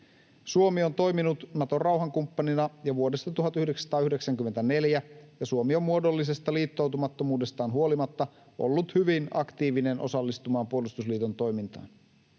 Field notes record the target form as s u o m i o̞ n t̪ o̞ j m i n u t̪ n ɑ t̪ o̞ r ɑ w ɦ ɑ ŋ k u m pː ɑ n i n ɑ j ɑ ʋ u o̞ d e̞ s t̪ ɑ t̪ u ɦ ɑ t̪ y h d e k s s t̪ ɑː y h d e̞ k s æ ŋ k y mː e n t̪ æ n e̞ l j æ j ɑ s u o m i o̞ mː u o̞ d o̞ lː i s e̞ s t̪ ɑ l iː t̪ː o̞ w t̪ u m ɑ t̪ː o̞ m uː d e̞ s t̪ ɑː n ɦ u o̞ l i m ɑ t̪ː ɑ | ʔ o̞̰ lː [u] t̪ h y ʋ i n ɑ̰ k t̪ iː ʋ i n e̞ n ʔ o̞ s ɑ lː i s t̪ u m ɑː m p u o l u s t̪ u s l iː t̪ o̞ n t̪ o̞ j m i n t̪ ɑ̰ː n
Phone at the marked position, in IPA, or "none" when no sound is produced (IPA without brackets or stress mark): u